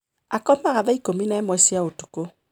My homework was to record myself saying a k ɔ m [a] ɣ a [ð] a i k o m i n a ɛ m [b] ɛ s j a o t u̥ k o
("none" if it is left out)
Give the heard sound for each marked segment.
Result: a, ð, w

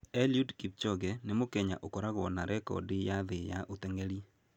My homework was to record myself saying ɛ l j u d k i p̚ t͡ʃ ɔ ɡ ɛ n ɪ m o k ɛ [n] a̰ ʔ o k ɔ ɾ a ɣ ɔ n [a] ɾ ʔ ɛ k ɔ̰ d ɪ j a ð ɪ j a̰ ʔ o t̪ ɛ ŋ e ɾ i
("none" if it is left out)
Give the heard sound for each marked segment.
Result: ɲ, a

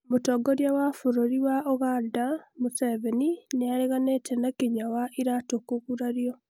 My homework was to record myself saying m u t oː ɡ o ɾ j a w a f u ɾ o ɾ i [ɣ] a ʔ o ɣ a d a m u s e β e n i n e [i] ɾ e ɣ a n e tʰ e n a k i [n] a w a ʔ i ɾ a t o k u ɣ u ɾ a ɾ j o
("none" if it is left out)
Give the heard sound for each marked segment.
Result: w, a, ɲ

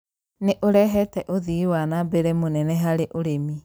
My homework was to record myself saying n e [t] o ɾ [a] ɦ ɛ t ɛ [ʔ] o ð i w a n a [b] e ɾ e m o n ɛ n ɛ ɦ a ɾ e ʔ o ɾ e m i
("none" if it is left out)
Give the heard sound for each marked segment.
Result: ʔ, ɛ, ʔ, b

